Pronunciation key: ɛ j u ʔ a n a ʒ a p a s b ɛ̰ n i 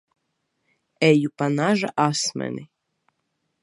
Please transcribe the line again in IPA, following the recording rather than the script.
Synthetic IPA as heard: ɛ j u p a n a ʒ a ʔ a s m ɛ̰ n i